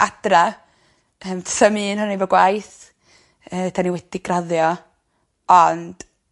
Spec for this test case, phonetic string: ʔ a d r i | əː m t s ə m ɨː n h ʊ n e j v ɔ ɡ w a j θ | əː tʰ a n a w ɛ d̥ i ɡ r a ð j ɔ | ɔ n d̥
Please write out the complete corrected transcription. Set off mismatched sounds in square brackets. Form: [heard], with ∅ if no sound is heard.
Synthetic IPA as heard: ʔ a d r [a] | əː m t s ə m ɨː n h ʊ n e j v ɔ ɡ w a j θ | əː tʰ a n [i] w ɛ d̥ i ɡ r a ð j ɔ | ɔ n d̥